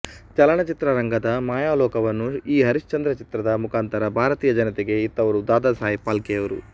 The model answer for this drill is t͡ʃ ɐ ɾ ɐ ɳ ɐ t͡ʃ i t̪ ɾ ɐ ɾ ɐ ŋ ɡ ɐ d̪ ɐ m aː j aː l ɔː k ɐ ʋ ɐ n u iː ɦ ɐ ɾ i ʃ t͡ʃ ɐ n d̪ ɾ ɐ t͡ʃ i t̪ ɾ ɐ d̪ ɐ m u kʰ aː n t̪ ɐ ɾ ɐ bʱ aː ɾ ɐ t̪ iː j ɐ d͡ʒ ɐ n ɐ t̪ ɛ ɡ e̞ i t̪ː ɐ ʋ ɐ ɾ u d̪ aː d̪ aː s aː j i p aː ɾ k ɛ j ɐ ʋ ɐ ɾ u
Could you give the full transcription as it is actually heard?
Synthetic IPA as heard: t͡ʃ ɐ l ɐ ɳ ɐ t͡ʃ i t̪ ɾ ɐ ɾ ɐ ŋ ɡ ɐ d̪ ɐ m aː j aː l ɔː k ɐ ʋ ɐ nː u iː ɦ ɐ ɾ i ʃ t͡ʃ ɐ n d̪ ɾ ɐ t͡ʃ i t̪ ɾ ɐ d̪ ɐ m u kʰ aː n t̪ ɐ ɾ ɐ bʱ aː ɾ ɐ t̪ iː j ɐ d͡ʒ ɐ n ɐ t̪ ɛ ɡ e̞ i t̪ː ɐ ʋ ɐ ɾ u d̪ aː d̪ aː s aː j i p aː l k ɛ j ɐ ʋ ɐ ɾ u